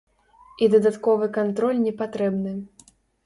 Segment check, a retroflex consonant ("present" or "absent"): absent